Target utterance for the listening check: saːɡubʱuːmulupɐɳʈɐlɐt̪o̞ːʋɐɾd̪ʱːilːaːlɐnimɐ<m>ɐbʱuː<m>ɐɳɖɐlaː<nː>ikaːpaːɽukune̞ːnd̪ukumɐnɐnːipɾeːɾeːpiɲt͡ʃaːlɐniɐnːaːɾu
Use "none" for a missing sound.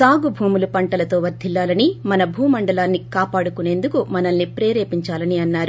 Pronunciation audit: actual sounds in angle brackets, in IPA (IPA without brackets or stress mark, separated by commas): n, m, nː